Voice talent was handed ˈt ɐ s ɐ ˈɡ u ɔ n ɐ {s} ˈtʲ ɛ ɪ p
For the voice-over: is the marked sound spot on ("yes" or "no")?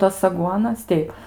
yes